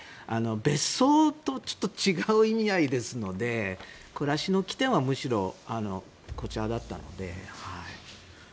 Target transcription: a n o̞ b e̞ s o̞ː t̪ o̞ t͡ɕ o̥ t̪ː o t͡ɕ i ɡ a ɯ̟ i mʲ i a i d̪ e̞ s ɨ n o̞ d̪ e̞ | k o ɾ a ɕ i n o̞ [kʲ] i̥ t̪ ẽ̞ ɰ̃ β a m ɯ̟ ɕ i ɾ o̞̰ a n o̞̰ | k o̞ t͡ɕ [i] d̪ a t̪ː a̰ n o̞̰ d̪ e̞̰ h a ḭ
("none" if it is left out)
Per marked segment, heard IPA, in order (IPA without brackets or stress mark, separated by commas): kʲ, a